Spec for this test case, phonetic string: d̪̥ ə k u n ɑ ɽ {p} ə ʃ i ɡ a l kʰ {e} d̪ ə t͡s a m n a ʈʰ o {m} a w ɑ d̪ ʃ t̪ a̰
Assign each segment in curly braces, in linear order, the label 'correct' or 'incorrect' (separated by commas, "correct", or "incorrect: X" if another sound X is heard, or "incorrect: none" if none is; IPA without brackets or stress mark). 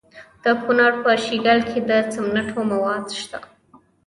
correct, correct, correct